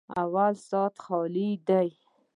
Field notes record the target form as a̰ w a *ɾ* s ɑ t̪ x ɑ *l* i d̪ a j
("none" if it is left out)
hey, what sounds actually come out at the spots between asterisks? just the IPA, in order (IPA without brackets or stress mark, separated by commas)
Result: l, l